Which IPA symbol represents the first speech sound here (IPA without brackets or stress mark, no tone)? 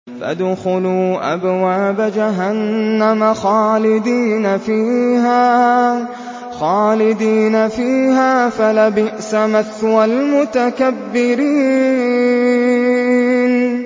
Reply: f